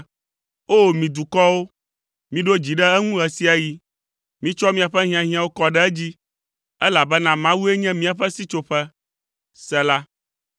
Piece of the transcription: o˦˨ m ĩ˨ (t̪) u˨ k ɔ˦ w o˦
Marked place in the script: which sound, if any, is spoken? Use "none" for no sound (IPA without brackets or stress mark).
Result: d̪